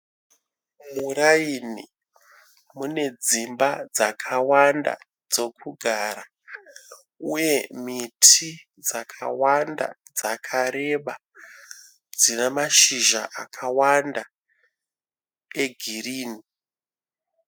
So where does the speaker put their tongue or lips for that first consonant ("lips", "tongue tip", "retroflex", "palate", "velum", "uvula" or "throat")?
lips